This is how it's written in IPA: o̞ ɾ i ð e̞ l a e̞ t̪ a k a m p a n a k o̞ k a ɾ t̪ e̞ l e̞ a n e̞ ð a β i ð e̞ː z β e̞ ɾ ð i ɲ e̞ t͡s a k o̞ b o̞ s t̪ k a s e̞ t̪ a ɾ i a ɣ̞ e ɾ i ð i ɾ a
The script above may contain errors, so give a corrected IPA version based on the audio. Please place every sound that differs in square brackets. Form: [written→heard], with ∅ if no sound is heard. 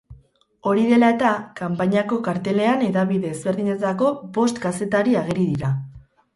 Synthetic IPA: o̞ ɾ i ð e̞ l a e̞ t̪ a k a m p a [n→ɲ] a k o̞ k a ɾ t̪ e̞ l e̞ a n e̞ ð a β i ð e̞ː z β e̞ ɾ ð i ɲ e̞ t͡s a k o̞ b o̞ s t̪ k a s e̞ t̪ a ɾ i a ɣ̞ e ɾ i ð i ɾ a